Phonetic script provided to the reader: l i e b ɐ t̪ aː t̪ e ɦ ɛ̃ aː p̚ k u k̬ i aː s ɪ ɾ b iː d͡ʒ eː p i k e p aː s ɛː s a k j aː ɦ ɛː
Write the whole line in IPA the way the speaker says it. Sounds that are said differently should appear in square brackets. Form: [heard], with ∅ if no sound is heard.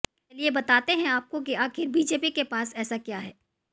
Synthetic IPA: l i e b ɐ t̪ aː t̪ e ɦ ɛ̃ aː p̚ k [o] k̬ i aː [x] ɪ ɾ b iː d͡ʒ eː p i k e p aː s ɛː s a k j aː ɦ ɛː